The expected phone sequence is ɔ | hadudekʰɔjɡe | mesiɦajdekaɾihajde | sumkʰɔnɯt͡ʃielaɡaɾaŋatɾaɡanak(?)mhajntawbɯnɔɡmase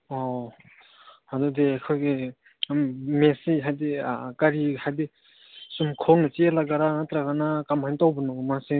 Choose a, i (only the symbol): a